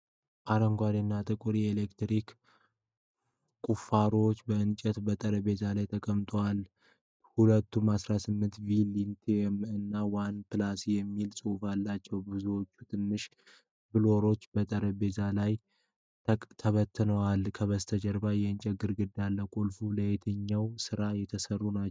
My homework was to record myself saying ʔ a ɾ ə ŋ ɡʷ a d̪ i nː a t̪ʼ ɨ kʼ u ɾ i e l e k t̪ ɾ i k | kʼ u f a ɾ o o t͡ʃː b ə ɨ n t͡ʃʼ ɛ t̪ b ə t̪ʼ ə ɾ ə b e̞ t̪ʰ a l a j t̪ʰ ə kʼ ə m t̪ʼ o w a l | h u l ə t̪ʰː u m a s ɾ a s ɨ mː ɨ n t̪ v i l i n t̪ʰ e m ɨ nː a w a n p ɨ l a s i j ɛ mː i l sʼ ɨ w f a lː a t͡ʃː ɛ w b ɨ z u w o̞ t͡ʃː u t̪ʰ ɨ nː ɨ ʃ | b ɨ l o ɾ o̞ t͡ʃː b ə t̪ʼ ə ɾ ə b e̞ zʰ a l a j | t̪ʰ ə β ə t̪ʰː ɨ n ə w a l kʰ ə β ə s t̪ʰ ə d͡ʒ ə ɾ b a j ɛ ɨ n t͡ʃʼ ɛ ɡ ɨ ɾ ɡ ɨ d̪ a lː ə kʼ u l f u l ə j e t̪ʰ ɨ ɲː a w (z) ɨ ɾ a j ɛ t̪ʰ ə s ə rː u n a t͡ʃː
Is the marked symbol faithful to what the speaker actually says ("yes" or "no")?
no